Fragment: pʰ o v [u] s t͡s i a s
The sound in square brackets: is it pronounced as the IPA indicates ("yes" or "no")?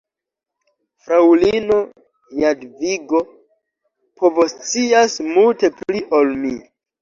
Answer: no